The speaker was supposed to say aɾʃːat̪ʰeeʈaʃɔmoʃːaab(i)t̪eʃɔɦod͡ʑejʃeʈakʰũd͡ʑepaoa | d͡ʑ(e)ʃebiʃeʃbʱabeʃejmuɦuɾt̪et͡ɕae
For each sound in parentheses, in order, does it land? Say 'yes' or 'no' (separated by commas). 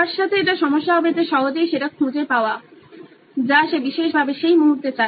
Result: no, no